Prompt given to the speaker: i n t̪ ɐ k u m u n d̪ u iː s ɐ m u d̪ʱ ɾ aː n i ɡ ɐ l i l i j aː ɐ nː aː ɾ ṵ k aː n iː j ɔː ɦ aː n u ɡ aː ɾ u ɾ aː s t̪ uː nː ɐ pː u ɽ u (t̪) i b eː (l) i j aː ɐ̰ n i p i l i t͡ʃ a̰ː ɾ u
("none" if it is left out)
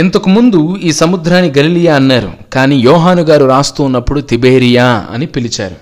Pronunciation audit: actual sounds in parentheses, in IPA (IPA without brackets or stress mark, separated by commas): t̪, ɾ